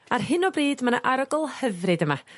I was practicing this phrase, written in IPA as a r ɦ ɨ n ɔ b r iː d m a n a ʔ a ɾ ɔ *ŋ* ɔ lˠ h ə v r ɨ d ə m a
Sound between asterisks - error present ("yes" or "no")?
yes